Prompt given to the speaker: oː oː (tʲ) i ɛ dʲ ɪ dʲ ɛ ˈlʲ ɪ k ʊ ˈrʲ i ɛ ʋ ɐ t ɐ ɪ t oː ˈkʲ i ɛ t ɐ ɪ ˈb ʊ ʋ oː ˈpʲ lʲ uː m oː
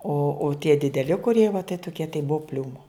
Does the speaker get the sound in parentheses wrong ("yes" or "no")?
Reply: no